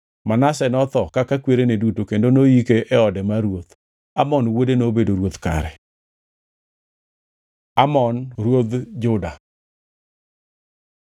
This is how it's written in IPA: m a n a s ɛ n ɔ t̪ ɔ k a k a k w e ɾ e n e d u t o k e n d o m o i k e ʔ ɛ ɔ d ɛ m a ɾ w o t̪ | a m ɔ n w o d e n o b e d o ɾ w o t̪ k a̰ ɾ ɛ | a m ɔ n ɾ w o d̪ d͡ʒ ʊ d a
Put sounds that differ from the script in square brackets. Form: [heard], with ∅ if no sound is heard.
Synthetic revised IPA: m a n a s ɛ n ɔ t̪ ɔ k a k a k w e ɾ e n e d u t o k e n d o [n] o i k e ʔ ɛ ɔ d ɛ m a ɾ w o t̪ | a m ɔ n w o d e n o b e d o ɾ w o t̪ k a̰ ɾ ɛ | a m ɔ n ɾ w o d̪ d͡ʒ ʊ d a